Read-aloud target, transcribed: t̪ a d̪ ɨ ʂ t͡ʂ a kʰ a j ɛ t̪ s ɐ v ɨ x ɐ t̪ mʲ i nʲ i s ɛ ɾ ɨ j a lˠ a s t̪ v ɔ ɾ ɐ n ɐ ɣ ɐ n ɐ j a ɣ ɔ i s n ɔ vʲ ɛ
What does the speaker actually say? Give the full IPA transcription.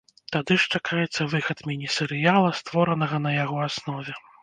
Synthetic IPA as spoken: t̪ a d̪ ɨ ʂ t͡ʂ a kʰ a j ɛ t̪ sː ɐ v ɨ x ɐ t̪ mʲ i nʲ i s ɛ ɾ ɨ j a lˠ ɐ s t̪ v ɔ ɾ ɐ n ɐ ɣ ɐ n ɐ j a ɣ ɔ a s n ɔ vʲ ɛ